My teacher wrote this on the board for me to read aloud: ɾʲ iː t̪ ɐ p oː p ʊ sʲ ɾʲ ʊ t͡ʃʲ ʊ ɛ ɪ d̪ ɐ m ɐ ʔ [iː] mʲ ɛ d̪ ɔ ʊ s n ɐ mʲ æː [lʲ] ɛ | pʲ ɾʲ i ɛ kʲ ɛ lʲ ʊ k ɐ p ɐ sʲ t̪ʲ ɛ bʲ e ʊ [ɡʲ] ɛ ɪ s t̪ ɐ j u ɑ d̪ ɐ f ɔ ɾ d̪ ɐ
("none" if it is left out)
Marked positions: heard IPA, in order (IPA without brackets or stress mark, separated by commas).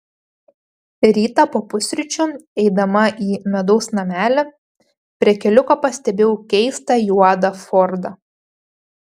iː, lʲ, kʲ